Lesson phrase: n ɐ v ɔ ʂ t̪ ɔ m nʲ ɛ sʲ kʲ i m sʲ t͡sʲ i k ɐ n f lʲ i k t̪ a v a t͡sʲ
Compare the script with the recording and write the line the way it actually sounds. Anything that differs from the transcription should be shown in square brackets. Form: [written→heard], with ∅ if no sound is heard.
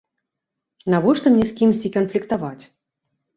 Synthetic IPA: n [ɐ→a] v ɔ ʂ t̪ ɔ m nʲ ɛ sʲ kʲ i m sʲ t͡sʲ i k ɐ n f lʲ i k t̪ a v a t͡sʲ